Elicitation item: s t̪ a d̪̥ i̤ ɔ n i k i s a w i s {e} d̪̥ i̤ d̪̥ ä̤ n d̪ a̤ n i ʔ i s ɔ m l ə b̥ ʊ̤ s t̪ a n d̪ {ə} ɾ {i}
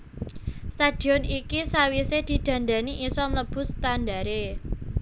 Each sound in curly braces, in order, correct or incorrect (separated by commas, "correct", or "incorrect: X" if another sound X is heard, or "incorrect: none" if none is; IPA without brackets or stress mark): correct, incorrect: a, incorrect: e